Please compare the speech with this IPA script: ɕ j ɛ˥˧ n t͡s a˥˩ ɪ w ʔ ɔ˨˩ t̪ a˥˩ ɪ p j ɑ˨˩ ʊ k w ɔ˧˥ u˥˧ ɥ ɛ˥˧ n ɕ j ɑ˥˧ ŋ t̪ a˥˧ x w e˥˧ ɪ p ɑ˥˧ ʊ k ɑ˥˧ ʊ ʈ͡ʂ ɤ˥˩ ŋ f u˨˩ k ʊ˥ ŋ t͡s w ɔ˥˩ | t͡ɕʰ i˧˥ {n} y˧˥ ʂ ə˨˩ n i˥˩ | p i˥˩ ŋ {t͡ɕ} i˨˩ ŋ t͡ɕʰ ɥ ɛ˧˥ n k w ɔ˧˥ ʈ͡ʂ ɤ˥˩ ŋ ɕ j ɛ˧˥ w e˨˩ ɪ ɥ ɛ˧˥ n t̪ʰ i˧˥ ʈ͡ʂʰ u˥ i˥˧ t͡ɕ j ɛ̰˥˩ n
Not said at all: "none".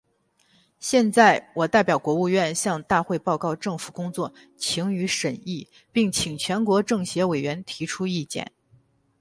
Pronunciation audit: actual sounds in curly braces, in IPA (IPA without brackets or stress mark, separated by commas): ŋ, t͡ɕʰ